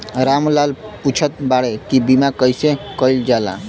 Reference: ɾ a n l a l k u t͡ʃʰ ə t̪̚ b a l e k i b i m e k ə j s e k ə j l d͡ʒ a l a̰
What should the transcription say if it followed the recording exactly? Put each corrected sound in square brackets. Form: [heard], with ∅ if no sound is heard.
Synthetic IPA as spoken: ɾ a [m] l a l [p] u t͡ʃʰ ə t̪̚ b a [ɽ] e k i b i m [a] k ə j s e k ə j l d͡ʒ a l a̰